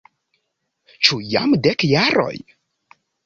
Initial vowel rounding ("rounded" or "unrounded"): rounded